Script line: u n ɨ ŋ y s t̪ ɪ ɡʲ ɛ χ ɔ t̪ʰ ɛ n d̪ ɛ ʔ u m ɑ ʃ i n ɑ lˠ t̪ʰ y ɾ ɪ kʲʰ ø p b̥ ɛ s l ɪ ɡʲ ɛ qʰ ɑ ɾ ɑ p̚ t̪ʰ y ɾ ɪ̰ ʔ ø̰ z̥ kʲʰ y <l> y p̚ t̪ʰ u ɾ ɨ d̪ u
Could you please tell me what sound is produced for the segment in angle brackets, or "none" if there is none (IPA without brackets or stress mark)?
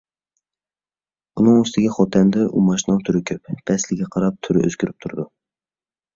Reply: ɾ